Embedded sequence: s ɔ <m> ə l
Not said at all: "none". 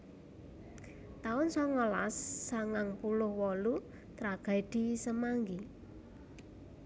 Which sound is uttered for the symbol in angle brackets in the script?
ŋ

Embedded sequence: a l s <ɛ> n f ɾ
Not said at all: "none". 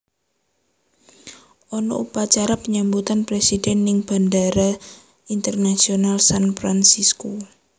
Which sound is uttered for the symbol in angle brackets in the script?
a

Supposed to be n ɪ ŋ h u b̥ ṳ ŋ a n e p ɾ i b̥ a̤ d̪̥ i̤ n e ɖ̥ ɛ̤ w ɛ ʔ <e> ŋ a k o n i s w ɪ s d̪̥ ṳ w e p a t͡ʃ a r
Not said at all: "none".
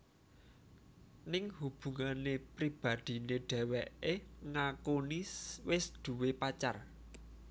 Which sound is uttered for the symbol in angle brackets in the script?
e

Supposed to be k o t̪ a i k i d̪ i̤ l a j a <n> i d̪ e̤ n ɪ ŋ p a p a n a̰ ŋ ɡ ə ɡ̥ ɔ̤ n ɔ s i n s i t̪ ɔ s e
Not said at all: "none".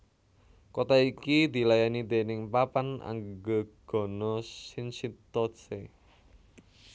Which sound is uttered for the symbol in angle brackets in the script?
n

